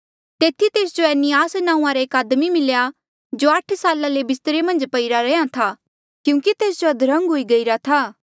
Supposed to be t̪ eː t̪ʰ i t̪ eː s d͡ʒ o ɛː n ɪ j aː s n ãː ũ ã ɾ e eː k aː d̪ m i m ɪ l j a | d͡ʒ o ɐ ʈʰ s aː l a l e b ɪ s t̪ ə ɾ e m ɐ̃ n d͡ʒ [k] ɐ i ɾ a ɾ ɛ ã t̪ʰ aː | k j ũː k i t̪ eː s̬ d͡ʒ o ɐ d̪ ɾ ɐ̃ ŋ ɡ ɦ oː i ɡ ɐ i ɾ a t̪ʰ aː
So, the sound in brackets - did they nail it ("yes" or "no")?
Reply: no